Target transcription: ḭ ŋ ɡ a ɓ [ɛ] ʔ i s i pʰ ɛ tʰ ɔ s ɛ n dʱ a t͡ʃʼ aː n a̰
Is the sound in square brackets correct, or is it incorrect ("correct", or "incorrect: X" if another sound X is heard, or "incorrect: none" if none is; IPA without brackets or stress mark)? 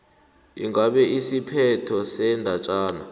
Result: correct